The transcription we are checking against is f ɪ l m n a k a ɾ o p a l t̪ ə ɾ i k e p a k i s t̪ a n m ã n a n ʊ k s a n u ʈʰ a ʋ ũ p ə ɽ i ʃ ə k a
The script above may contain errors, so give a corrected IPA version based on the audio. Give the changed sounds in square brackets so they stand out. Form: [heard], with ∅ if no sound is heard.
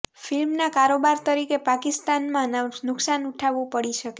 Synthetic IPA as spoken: f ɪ l m n a k a ɾ o [b] a [ɾ] t̪ ə ɾ i k e p a k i s t̪ a n m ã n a n ʊ k s a n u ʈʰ a ʋ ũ p ə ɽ i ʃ ə k [e]